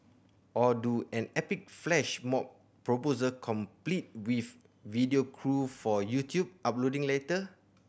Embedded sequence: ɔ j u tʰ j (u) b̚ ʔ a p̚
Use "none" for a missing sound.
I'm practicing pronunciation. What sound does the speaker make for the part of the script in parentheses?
u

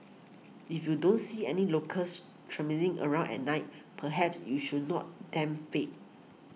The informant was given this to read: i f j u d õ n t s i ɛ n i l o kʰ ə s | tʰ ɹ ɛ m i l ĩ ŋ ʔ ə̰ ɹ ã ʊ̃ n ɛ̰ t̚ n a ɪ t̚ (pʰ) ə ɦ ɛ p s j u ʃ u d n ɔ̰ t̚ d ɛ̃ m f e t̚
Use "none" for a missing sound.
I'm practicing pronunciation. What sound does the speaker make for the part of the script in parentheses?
pʰ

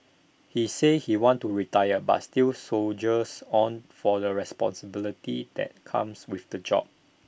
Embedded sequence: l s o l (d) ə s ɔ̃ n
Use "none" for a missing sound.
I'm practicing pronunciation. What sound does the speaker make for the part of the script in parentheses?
d͡ʒ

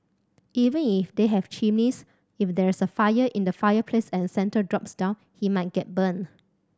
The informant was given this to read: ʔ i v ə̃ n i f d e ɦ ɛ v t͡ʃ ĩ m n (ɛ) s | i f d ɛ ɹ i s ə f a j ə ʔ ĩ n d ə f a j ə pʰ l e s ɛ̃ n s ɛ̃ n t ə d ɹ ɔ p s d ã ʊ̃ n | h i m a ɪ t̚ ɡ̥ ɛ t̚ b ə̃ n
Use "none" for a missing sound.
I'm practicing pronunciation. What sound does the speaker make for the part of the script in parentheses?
i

